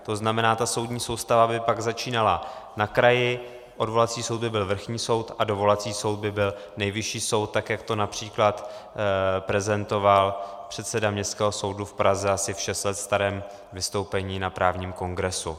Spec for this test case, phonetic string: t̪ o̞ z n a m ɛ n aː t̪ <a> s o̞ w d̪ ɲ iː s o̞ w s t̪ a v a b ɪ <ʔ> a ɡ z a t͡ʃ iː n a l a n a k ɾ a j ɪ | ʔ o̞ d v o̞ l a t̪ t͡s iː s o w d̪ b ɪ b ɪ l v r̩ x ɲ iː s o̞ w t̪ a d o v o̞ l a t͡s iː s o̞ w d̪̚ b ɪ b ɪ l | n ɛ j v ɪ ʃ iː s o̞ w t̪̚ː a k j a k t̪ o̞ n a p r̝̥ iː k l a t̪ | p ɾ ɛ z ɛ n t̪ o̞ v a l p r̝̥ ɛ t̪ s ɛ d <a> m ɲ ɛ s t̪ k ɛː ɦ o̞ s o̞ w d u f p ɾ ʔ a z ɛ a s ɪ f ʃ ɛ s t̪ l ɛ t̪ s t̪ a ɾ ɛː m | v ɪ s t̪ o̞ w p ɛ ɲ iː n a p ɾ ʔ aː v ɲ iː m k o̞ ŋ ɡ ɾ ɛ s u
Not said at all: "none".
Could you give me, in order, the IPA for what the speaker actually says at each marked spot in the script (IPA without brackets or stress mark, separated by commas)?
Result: a, p, a